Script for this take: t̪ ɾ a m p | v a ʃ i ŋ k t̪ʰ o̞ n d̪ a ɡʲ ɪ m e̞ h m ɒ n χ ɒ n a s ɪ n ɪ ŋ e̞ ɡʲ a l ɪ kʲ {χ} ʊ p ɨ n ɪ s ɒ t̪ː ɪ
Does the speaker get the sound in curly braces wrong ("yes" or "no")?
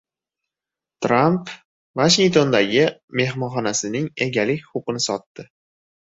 no